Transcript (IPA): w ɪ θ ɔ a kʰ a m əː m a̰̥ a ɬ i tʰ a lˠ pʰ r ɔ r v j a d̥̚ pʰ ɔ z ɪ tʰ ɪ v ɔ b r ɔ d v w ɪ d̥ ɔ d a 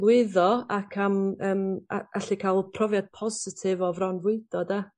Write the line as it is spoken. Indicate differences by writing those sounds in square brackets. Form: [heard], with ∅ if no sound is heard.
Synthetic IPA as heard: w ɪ [ð] ɔ a kʰ a m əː m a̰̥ a ɬ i [kʰ] a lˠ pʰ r ɔ [∅] v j a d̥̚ pʰ ɔ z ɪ tʰ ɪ v ɔ [v] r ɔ [n] v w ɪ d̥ ɔ d a